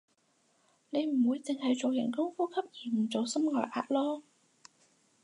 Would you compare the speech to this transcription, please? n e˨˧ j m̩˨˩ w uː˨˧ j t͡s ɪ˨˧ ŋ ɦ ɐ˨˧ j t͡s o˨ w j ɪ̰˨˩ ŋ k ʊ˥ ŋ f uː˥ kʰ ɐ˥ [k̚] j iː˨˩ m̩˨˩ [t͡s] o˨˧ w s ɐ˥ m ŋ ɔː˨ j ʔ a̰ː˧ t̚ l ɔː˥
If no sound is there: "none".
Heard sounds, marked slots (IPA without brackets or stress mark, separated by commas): p̚, t͡s